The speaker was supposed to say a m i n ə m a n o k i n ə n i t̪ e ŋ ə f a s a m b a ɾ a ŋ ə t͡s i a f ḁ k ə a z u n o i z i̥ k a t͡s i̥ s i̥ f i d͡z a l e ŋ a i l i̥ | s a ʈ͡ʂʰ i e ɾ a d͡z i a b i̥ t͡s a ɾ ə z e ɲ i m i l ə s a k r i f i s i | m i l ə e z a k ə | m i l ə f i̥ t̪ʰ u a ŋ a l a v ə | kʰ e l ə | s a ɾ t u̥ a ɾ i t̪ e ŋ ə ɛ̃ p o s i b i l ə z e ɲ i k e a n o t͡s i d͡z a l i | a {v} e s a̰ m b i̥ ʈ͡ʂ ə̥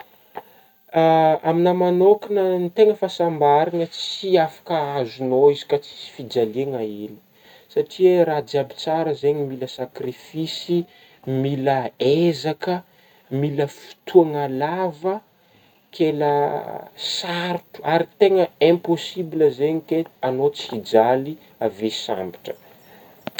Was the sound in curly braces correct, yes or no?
yes